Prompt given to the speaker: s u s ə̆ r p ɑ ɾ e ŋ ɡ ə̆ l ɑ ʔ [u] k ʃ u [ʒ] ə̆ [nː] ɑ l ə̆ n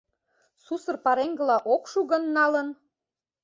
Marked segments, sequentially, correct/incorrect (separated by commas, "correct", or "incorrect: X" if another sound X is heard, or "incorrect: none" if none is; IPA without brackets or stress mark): incorrect: o, incorrect: ɣ, correct